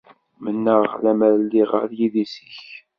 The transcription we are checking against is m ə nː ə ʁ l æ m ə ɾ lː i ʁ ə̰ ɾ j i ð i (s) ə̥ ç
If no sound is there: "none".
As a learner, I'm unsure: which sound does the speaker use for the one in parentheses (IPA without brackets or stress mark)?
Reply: s